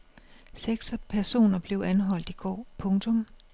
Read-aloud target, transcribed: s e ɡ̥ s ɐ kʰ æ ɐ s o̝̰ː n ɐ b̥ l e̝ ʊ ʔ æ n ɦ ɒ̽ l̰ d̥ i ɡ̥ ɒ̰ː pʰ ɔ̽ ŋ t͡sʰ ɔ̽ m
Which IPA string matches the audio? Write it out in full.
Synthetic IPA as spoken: s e ɡ̥ s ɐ pʰ æ ɐ s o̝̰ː n ɐ b̥ l e̝ ʊ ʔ æ n ɦ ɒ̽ l̰ d̥ i ɡ̥ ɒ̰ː pʰ ɔ̽ ŋ t͡sʰ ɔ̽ m